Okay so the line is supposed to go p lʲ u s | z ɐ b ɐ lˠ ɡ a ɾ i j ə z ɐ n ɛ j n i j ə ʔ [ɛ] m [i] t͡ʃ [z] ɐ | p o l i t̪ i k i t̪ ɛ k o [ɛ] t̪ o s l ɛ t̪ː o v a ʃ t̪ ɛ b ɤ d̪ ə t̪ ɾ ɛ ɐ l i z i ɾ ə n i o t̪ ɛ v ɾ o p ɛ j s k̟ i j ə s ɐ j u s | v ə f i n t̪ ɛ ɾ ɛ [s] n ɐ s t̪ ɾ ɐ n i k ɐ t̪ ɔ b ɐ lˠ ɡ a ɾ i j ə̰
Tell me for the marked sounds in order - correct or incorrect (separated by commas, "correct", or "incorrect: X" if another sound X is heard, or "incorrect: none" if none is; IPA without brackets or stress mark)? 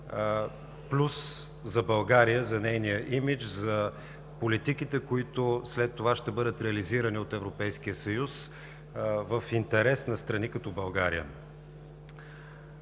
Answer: incorrect: i, correct, correct, incorrect: i, correct